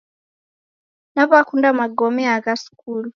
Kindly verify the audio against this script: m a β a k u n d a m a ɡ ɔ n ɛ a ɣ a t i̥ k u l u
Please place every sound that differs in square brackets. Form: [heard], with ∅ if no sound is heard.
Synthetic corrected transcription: [n] a β a k u n d a m a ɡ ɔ [m] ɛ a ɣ a [s] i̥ k u l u